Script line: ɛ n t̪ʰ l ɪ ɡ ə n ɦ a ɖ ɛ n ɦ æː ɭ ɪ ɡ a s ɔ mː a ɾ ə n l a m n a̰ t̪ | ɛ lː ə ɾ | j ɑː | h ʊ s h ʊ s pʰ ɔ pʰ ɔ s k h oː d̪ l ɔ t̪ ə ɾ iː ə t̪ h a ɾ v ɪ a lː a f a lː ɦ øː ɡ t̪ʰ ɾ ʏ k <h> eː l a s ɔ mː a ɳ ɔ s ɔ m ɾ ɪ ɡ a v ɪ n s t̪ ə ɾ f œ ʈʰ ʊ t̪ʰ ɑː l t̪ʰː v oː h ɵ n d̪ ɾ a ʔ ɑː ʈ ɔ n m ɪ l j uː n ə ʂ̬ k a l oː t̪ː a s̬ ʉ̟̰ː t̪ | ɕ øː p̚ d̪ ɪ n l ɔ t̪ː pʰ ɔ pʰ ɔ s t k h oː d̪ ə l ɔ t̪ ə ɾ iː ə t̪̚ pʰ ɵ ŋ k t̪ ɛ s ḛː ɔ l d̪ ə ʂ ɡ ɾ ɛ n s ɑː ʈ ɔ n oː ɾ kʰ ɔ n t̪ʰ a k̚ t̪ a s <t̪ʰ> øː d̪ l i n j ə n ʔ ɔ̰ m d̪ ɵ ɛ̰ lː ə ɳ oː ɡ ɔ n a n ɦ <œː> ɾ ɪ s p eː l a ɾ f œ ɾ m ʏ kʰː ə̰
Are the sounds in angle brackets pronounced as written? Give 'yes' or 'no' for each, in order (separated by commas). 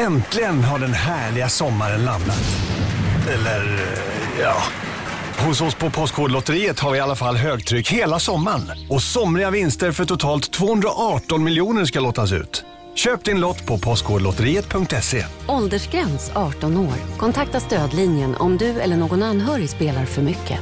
yes, no, yes